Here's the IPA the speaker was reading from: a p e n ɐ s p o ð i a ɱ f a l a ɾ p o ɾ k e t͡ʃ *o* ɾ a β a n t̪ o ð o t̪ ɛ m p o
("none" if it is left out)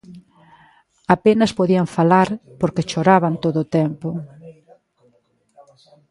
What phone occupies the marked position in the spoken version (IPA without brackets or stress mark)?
o